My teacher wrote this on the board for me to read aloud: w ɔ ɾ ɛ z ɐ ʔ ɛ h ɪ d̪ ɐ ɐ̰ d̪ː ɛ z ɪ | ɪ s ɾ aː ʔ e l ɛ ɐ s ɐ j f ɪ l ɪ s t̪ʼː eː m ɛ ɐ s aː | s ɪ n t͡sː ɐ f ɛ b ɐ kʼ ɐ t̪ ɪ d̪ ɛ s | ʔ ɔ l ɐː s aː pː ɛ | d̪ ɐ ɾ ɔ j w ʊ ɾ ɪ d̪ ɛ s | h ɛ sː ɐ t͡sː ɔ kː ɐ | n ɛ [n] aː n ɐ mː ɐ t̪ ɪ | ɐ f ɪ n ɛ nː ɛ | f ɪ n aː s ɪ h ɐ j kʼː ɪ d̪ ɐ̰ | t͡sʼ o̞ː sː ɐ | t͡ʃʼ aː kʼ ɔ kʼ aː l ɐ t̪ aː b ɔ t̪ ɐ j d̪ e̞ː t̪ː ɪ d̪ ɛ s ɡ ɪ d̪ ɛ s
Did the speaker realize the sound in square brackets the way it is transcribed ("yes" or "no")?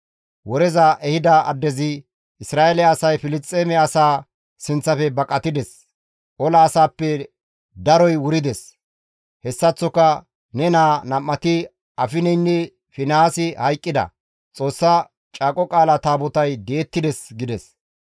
yes